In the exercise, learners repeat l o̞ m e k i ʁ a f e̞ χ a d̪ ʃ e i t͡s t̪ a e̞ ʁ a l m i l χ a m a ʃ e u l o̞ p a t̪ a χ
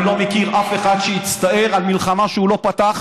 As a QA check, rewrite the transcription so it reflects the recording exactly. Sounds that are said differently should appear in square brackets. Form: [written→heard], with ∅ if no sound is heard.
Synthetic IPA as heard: l o̞ m e k i ʁ a f e̞ χ a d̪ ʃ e i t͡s t̪ a e̞ ʁ a l m i l χ a m a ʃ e u l o̞ p a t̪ a χ